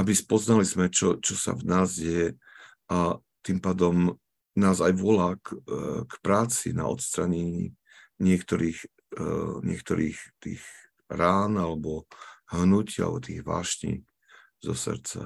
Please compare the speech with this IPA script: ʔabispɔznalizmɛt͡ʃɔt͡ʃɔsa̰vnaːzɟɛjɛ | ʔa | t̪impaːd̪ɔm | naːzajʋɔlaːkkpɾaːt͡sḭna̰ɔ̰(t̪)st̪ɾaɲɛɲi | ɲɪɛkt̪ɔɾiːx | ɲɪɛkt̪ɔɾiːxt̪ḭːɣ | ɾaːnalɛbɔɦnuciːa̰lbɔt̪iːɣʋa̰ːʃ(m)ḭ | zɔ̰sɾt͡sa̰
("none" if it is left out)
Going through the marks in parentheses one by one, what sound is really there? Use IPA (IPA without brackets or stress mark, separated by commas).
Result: t̪, ɲ